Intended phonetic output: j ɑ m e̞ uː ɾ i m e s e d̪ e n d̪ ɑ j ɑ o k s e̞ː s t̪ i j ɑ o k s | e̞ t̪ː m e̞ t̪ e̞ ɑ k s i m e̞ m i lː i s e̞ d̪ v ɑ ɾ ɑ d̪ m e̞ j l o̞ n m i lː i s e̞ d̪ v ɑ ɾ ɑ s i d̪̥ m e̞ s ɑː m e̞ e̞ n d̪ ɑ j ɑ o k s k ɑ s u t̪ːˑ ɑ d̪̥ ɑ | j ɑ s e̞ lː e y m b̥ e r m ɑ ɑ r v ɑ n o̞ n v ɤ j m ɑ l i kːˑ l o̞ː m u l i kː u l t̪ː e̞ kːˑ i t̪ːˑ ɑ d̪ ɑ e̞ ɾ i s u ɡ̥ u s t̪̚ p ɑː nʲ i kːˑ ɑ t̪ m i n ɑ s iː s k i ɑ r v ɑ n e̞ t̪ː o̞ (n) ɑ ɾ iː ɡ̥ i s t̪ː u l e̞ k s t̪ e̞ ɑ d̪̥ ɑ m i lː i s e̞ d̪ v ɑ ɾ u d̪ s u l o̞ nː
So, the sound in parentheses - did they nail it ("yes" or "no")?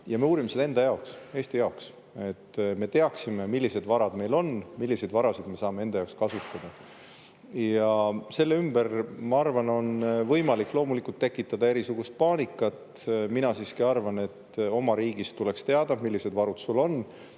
no